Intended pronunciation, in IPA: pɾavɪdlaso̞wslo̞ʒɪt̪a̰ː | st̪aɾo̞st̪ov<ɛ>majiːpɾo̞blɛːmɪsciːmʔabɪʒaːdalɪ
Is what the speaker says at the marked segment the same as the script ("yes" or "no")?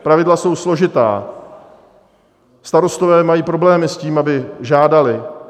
no